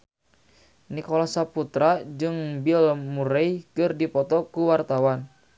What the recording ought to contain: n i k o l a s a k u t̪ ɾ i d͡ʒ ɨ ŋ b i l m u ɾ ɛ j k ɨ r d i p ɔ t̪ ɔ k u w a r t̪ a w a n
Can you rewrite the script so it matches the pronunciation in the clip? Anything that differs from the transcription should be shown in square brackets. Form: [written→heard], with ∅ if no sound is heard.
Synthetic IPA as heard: n i k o l a s a [k→p] u t̪ ɾ [i→a] d͡ʒ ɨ ŋ b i l m u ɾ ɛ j k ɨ r d i p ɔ t̪ ɔ k u w a r t̪ a w a n